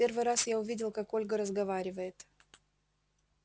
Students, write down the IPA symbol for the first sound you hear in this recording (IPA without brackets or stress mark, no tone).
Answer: e̞